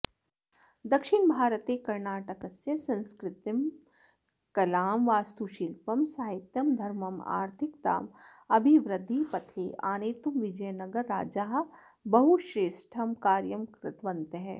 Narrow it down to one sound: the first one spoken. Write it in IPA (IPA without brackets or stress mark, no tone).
d̪